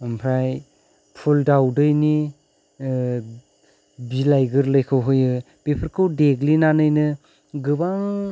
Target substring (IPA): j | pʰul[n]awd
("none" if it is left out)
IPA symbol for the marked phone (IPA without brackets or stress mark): d